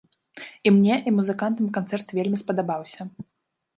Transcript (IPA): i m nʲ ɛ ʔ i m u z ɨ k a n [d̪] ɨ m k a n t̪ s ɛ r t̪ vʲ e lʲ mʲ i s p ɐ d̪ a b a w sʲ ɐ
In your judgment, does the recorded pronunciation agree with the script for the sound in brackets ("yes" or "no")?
no